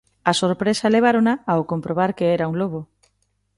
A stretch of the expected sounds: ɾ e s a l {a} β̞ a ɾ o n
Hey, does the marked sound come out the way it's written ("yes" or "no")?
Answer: no